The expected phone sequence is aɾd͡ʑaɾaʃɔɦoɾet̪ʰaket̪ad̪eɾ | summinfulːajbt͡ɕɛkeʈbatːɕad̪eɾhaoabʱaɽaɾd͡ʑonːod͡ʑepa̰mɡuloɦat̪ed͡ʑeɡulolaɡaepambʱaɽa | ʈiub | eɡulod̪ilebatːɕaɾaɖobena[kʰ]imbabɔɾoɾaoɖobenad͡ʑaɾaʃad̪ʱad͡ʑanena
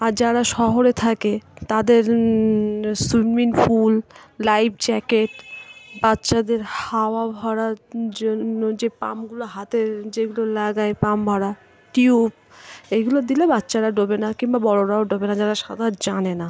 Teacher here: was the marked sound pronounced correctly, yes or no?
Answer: no